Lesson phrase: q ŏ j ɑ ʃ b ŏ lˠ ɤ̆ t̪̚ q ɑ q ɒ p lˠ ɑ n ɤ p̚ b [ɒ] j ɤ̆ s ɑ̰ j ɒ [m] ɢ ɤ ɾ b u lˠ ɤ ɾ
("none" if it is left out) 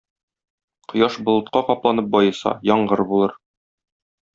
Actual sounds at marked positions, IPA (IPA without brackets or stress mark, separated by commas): ɒ, ɴ